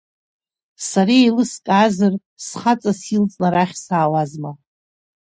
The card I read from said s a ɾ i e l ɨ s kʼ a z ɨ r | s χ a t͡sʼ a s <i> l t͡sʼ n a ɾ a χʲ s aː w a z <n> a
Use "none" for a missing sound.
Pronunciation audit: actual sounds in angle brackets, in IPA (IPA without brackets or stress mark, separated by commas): i, m